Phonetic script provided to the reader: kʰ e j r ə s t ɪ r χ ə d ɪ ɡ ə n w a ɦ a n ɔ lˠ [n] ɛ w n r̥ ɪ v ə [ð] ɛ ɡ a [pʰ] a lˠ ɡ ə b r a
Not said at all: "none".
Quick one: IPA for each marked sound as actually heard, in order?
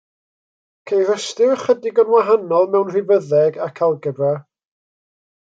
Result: m, ð, kʰ

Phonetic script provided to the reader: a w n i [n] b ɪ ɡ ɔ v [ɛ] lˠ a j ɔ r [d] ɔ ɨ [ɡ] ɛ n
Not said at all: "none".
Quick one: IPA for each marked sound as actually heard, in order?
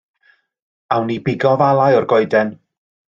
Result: none, a, ɡ, d

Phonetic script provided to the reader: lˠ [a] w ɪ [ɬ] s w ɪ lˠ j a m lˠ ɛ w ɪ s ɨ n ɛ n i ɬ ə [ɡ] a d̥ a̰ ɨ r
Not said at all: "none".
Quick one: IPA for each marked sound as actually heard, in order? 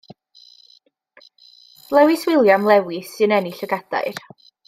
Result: ɛ, none, ɡ

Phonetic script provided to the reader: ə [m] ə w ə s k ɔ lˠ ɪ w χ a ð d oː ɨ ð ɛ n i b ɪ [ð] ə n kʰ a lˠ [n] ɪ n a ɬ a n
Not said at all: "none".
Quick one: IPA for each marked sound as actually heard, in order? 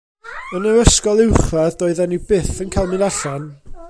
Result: n, θ, m

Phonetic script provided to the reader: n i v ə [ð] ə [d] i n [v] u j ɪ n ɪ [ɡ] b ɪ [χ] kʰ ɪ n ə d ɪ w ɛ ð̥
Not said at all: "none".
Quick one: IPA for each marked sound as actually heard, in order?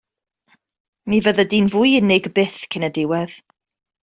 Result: ð, d, v, ɡ, θ

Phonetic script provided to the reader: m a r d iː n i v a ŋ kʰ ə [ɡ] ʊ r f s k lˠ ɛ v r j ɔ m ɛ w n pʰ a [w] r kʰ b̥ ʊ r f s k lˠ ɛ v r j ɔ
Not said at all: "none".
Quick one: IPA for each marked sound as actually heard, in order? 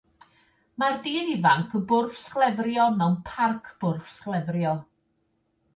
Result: b, none

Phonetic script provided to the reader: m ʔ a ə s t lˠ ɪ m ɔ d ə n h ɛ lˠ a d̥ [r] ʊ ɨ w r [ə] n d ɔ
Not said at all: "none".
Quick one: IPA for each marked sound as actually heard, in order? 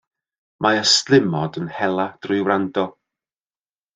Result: r, a

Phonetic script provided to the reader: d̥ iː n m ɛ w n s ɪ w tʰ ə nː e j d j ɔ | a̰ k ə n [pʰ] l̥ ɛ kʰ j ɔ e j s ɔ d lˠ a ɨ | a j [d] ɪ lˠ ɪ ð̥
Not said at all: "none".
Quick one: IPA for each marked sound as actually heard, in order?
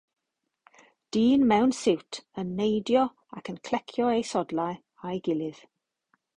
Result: kʰ, ɡ

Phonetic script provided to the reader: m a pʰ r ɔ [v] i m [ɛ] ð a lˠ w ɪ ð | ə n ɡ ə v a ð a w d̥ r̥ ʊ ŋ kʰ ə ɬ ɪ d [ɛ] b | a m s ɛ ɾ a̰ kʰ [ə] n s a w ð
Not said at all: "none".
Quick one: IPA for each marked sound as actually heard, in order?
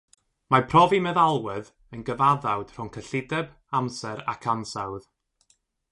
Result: v, ɛ, ɛ, a

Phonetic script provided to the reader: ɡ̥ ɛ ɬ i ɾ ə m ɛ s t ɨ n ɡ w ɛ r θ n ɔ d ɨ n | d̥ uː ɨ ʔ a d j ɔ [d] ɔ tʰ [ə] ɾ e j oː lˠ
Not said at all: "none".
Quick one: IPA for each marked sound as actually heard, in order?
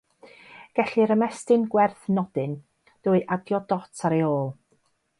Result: d, a

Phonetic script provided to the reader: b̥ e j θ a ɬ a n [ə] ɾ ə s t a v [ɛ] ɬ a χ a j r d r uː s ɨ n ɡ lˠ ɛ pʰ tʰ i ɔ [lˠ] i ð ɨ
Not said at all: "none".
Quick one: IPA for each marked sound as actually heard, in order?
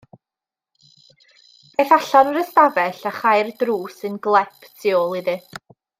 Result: ə, ɛ, lˠ

